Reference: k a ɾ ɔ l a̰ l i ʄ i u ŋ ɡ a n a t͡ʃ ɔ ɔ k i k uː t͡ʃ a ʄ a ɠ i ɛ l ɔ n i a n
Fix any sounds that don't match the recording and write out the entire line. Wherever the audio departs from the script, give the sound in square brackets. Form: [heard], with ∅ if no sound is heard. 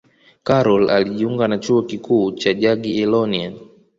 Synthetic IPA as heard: k a ɾ ɔ l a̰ l i ʄ i u ŋ ɡ a n a t͡ʃ [u] ɔ k i k uː t͡ʃ a ʄ a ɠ i ɛ l ɔ n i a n